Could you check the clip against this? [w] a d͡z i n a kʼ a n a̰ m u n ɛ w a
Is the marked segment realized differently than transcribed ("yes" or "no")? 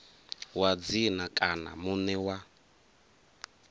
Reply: no